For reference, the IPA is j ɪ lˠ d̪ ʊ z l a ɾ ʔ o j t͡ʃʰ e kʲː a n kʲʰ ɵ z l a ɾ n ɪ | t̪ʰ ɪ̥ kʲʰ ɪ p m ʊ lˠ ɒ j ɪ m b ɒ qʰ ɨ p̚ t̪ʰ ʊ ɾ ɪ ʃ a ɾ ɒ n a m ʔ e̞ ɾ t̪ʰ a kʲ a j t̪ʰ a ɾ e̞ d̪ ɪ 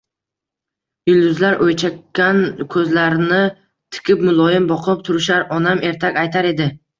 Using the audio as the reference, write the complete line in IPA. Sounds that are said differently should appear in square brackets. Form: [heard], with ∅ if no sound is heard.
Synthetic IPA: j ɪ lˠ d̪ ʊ z l a ɾ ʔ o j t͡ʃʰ [a] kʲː a n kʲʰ ɵ z l a ɾ n ɪ | t̪ʰ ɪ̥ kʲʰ ɪ p m ʊ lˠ ɒ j ɪ m b ɒ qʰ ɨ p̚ t̪ʰ ʊ ɾ ɪ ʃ a ɾ ɒ n a m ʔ e̞ ɾ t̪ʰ a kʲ a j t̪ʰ a ɾ e̞ d̪ ɪ